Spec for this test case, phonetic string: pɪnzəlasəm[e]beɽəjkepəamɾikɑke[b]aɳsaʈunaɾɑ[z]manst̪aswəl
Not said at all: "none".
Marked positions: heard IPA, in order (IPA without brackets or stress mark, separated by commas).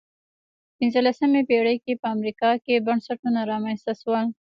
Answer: e, b, none